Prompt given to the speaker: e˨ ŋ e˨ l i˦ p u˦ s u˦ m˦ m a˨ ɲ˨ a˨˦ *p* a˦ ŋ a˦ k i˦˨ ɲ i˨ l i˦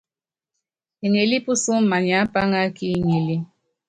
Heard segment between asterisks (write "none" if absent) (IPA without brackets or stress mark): p